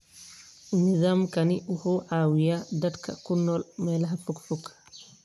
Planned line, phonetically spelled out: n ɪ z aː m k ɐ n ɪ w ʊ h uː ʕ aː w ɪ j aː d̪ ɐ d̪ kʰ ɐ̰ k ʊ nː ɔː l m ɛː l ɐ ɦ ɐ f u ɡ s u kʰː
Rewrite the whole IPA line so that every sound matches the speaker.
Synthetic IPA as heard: n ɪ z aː m k ɐ n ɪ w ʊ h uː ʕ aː w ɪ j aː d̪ ɐ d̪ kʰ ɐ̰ k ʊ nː ɔː l m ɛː l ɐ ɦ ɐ f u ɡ f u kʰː